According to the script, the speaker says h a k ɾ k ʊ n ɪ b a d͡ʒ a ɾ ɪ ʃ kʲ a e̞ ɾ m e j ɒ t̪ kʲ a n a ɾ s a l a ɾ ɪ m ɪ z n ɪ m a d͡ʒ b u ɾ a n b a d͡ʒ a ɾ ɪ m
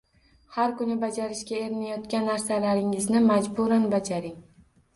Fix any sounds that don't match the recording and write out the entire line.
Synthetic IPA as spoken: h a ɾ k ʊ n ɪ b a d͡ʒ a ɾ ɪ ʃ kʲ a e̞ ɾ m a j ɒ t̪ kʲ a nː a ɾ s a l a ɾ ɪ ŋ ɪ z n ɪ m a d͡ʒ b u ɾ a n b a d͡ʒ a ɾ ɪ ŋ